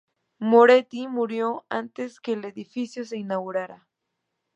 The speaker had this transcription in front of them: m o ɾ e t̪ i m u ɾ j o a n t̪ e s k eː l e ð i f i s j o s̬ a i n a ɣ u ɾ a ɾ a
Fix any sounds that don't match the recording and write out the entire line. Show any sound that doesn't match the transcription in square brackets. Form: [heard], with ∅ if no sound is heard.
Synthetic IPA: m o ɾ e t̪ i m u ɾ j o a n t̪ e s k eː l e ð i f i s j o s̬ [e] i n a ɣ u ɾ a ɾ a